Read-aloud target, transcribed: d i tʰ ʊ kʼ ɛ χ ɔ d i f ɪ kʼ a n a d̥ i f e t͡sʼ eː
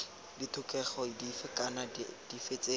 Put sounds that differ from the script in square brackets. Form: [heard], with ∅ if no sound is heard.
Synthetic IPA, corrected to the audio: d i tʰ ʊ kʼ ɛ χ ɔ d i f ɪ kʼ a n a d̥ i f e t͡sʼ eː